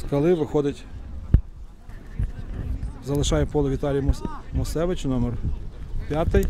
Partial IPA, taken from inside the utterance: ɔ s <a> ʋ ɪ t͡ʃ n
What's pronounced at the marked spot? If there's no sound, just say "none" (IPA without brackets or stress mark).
ɛ